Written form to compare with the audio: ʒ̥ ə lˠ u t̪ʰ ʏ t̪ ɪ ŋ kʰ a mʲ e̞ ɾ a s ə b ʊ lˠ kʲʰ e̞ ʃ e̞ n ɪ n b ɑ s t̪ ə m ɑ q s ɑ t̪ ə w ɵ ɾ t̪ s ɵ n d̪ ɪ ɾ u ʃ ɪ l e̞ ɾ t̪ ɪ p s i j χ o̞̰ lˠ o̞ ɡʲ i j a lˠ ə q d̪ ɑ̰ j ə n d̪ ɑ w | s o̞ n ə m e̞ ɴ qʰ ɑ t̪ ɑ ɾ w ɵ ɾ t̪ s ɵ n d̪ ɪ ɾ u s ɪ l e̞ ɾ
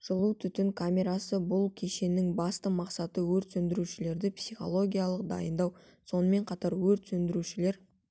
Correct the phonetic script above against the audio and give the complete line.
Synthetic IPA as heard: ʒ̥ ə lˠ u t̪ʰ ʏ t̪ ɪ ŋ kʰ a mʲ e̞ ɾ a s ə b ʊ lˠ kʲʰ e̞ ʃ e̞ n ɪ ŋ b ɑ s t̪ ə m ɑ q s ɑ t̪ ə w ɵ ɾ t̪ s ɵ n d̪ ɪ ɾ u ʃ ɪ l e̞ ɾ d̪ ɪ p s i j χ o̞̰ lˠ o̞ ɡʲ i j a lˠ ə q d̪ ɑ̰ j ə n d̪ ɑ w | s o̞ n ə m e̞ ɴ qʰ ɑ t̪ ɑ ɾ w ɵ ɾ t̪ s ɵ n d̪ ɪ ɾ u ʃ ɪ l e̞ ɾ

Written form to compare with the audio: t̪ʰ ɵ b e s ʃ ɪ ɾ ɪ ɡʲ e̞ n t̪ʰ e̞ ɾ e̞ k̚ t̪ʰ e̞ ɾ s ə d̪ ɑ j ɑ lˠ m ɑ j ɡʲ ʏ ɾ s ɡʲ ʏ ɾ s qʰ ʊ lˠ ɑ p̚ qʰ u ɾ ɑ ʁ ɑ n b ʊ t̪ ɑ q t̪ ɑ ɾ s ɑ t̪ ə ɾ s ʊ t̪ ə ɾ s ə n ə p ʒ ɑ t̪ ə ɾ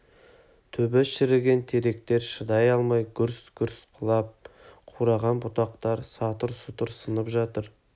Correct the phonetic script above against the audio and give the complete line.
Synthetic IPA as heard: t̪ʰ ɵ b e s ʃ ɪ ɾ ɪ ɡʲ e̞ n t̪ʰ e̞ ɾ e̞ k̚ t̪ e̞ ɾ ʃ ə d̪ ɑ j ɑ lˠ m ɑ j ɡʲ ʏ ɾ s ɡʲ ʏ ɾ s qʰ ʊ lˠ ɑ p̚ qʰ u ɾ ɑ ʁ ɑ n b ʊ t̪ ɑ q t̪ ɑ ɾ s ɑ t̪ ə ɾ s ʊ t̪ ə ɾ s ə n ə p ʒ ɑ t̪ ə ɾ

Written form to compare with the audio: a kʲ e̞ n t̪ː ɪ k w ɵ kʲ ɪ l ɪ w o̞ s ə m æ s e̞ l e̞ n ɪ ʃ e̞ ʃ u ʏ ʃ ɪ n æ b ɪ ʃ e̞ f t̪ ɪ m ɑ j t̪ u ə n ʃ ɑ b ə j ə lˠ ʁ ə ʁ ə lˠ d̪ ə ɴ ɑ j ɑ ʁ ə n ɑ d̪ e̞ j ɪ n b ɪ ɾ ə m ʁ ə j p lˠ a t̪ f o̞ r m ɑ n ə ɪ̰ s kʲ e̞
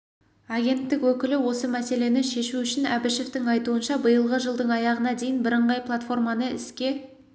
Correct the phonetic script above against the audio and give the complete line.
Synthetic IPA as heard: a ɡʲ e̞ n t̪ː ɪ k w ɵ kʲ ɪ l ɪ w o̞ s ə m æ s e̞ l e̞ n ɪ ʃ e̞ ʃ u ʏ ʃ ɪ n æ b ɪ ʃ e̞ f t̪ ɪ ŋ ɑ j t̪ u ə n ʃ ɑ b ə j ə lˠ ʁ ə ʒ ə lˠ d̪ ə ɴ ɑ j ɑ ʁ ə n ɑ d̪ e̞ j ɪ n b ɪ ɾ ə ɴ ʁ ɑ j p lˠ a t̪ f o̞ r m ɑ n ə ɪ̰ s kʲ e̞

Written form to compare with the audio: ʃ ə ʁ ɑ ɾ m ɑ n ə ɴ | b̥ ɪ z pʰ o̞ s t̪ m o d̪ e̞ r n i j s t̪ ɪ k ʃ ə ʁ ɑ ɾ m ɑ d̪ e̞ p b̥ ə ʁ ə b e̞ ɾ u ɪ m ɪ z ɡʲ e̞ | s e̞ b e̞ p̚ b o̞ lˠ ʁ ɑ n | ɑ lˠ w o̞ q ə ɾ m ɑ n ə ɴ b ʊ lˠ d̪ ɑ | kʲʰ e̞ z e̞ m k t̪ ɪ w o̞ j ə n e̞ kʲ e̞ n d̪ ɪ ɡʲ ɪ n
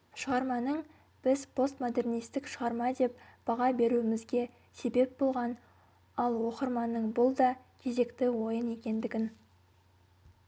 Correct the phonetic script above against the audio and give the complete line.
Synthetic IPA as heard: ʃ ə ʁ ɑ ɾ m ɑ n ə ɴ | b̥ ɪ z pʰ o̞ s t̪ m o d̪ e̞ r n i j s t̪ ɪ k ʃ ə ʁ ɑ ɾ m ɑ d̪ e̞ p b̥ ɑ ʁ ɑ b e̞ ɾ u ɪ m ɪ z ɡʲ e̞ | s e̞ b e̞ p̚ b o̞ lˠ ʁ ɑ n | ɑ lˠ w o̞ q ə ɾ m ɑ n ə ɴ b ʊ lˠ d̪ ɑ | kʲʰ e̞ z e̞ k t̪ ɪ w o̞ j ə n e̞ kʲ e̞ n d̪ ɪ ɡʲ ɪ n

